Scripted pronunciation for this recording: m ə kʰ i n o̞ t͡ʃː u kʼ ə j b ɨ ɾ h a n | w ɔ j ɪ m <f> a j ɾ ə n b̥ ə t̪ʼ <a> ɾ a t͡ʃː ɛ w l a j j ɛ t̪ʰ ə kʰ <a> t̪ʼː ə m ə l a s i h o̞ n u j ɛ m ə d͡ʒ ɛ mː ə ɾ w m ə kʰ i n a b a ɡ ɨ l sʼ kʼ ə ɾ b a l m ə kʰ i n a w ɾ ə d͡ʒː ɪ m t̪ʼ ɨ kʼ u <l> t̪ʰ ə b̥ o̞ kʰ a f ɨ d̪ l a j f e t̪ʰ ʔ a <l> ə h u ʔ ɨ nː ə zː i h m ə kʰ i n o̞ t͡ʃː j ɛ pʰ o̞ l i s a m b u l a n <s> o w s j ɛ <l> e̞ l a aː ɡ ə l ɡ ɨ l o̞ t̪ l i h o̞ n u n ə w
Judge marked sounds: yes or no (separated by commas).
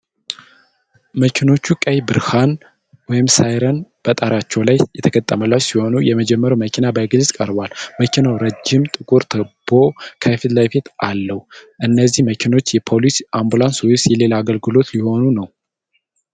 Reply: no, yes, no, no, no, yes, yes